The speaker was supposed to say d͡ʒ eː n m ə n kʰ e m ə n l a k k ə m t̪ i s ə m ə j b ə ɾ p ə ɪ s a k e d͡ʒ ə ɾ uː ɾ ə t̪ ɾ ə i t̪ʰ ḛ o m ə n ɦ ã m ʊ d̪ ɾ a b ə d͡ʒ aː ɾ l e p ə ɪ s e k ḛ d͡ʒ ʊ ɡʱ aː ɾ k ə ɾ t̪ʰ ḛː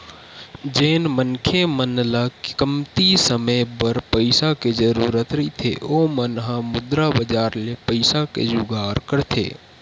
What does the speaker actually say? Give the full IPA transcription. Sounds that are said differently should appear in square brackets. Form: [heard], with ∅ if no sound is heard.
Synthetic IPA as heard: d͡ʒ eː n m ə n kʰ e m ə n l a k k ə m t̪ i s ə m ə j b ə ɾ p ə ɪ s a k e d͡ʒ ə ɾ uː ɾ ə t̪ ɾ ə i t̪ʰ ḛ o m ə n ɦ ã m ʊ d̪ ɾ a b ə d͡ʒ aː ɾ l e p ə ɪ s [a] k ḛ d͡ʒ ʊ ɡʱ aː ɾ k ə ɾ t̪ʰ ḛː